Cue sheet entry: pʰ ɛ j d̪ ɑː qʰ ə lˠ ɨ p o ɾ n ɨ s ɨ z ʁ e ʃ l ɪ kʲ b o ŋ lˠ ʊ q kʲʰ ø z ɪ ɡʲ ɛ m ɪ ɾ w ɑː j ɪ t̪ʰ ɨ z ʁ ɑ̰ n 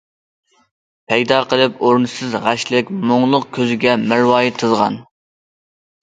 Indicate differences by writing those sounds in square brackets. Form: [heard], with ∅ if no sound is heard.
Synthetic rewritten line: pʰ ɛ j d̪ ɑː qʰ ə lˠ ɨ p o ɾ n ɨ s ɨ z ʁ [æ] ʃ l ɪ kʲ [m] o ŋ lˠ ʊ q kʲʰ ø z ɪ ɡʲ ɛ m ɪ ɾ w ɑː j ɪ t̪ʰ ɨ z ʁ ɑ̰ n